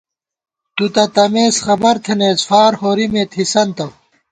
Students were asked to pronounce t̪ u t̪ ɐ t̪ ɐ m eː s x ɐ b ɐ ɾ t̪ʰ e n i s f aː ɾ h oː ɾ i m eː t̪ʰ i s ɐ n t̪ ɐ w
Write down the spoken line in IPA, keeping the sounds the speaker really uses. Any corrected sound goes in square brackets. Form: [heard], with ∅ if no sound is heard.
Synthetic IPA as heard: t̪ u t̪ ɐ t̪ ɐ m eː s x ɐ b ɐ ɾ t̪ʰ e n [e] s f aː ɾ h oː ɾ i m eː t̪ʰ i s ɐ n t̪ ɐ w